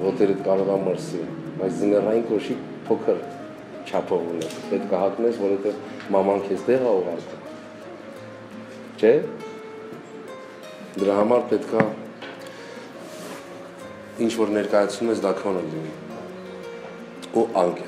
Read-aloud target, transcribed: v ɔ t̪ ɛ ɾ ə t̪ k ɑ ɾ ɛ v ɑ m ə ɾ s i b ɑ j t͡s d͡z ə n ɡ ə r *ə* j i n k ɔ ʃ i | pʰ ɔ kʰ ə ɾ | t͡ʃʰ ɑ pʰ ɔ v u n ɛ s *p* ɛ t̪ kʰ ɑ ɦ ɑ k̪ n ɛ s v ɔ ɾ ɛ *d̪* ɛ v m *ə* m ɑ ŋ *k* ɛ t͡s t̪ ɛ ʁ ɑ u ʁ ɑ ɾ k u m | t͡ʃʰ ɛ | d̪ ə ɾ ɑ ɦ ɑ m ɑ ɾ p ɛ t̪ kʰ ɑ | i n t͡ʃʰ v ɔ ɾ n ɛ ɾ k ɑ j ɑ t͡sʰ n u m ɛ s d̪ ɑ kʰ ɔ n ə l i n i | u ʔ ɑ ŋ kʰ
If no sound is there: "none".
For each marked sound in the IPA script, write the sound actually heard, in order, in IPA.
ɑ, p, t̪, ɑ, kʰ

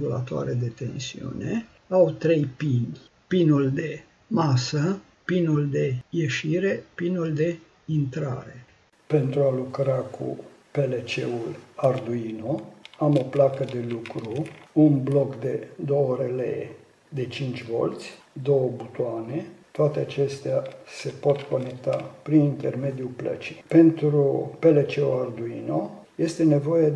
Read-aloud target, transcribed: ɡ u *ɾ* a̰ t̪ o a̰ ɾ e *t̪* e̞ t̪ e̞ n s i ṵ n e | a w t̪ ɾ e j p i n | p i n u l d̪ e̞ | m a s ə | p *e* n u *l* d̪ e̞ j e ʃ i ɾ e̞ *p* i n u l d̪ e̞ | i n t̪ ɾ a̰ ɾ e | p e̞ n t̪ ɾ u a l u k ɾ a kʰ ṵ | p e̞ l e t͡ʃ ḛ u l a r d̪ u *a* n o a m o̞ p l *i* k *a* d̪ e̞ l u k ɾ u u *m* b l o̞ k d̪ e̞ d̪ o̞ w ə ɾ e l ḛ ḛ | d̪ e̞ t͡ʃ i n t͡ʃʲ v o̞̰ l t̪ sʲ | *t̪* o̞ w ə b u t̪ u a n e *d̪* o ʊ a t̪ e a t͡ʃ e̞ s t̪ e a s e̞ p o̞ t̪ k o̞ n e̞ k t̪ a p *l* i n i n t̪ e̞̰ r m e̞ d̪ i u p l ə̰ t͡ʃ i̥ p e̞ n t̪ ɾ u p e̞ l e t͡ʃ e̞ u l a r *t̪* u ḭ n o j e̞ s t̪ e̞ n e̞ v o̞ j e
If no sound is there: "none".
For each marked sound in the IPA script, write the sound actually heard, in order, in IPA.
l, d̪, i, l, p, i, a, ə, n, d̪, t̪, ɾ, d̪

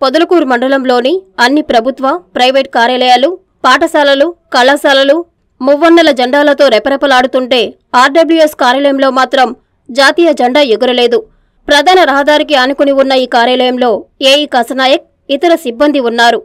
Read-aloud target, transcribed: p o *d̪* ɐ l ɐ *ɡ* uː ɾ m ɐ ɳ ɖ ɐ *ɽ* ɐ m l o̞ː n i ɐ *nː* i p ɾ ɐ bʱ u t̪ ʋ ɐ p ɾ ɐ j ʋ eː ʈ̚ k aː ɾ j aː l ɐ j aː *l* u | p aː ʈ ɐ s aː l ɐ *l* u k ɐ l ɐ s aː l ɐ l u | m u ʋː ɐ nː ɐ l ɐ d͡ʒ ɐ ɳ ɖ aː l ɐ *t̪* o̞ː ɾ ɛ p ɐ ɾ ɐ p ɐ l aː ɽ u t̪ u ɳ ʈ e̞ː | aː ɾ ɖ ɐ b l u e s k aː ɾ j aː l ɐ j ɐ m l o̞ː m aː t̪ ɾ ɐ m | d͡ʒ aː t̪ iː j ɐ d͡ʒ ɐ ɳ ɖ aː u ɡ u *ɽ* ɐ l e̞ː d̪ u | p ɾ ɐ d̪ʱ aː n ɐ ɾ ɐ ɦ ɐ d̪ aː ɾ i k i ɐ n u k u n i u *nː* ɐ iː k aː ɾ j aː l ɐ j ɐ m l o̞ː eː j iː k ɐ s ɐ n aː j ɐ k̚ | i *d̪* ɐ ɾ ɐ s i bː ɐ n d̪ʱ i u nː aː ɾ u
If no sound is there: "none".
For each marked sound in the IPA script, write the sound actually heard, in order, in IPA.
d̪, k, l, nː, l, l, t̪, ɾ, nː, t̪

